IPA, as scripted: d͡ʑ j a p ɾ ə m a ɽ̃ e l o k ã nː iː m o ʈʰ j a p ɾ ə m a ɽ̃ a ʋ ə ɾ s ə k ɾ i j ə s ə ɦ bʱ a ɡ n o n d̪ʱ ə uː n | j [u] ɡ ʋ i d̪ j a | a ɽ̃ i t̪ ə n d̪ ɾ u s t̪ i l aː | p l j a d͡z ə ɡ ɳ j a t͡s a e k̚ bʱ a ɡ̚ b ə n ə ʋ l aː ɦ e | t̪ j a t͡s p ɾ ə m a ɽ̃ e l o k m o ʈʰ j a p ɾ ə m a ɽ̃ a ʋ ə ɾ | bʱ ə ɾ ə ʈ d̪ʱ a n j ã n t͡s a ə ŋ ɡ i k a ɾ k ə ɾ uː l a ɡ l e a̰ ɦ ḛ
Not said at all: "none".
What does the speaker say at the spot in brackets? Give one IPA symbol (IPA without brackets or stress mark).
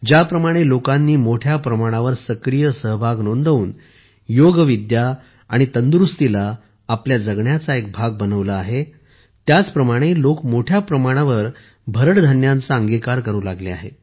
o